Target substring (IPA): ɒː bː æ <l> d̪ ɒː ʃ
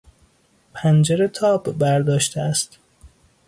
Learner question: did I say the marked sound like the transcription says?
no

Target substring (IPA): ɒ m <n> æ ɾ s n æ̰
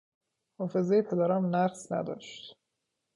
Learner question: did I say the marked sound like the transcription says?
yes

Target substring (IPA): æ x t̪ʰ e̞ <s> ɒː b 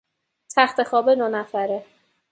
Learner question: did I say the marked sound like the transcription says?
no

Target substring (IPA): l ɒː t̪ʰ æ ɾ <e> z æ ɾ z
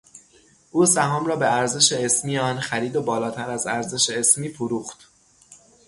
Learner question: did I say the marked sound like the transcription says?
no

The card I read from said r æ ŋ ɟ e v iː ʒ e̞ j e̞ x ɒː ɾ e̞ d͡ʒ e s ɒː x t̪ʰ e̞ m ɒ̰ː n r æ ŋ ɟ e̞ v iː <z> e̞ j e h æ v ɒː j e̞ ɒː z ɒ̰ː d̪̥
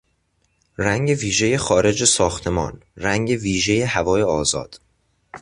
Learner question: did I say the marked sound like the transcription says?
no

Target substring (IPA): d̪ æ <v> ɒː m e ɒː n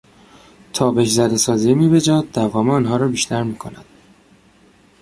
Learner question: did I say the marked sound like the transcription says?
yes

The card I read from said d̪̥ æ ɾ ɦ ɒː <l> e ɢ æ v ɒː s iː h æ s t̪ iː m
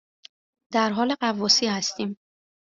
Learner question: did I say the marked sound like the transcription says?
yes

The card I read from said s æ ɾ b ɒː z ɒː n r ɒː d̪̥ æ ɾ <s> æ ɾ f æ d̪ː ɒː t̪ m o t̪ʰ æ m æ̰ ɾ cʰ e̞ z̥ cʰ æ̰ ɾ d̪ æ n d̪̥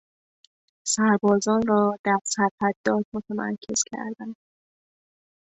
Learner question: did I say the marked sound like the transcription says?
yes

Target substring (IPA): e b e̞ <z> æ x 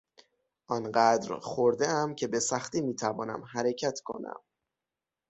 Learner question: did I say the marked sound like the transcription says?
no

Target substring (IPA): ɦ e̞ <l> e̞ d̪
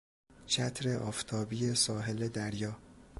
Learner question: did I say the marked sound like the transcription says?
yes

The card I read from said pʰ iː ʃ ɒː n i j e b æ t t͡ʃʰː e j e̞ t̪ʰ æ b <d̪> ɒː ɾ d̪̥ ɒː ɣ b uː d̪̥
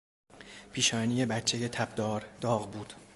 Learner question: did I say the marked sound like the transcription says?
yes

